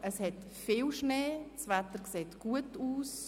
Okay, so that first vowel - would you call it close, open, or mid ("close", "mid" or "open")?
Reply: mid